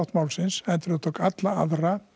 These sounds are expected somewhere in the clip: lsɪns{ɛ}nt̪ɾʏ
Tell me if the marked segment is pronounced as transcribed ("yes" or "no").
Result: yes